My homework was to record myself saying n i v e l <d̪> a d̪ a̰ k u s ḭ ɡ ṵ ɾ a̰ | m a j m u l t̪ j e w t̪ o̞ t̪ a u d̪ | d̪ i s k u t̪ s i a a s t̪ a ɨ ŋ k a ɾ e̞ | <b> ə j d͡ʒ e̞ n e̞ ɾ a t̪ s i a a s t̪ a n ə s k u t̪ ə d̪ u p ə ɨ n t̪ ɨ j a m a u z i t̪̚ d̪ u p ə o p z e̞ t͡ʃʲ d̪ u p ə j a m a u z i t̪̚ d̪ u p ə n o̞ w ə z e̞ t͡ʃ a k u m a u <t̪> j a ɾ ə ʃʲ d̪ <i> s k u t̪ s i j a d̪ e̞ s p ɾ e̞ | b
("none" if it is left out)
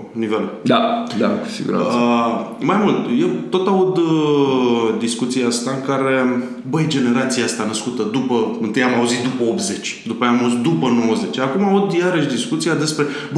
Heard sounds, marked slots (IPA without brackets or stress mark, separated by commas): d̪, b, d̪, i